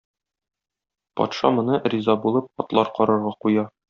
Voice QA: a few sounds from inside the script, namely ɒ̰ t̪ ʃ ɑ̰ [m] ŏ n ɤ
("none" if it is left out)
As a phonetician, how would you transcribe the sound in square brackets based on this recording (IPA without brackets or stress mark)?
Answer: m